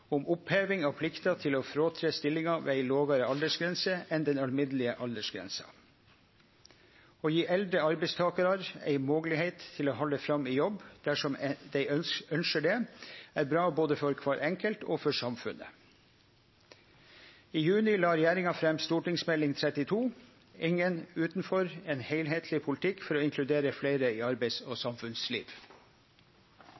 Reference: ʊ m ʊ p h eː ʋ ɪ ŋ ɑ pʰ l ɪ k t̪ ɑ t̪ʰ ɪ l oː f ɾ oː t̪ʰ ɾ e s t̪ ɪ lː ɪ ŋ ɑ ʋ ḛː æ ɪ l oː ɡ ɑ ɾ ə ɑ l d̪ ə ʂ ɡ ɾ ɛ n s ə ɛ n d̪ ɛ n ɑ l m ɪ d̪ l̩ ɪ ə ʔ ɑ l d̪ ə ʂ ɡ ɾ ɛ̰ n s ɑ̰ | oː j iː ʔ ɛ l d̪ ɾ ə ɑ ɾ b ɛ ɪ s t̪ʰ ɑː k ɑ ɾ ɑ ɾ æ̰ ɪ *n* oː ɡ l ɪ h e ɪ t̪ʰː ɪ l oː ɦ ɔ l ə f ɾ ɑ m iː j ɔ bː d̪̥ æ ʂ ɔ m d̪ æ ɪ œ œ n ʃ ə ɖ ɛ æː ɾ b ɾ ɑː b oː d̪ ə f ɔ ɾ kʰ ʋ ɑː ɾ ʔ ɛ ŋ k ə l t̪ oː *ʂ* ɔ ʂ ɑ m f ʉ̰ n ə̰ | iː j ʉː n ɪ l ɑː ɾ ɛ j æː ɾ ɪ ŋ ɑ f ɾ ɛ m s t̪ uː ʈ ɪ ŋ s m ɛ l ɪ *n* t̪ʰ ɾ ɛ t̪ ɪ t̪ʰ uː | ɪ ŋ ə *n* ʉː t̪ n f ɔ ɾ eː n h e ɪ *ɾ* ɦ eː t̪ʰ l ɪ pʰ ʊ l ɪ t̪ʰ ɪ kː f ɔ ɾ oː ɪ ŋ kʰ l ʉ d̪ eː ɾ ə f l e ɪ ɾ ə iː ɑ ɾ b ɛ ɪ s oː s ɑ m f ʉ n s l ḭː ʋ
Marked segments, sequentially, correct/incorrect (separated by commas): incorrect, incorrect, incorrect, correct, incorrect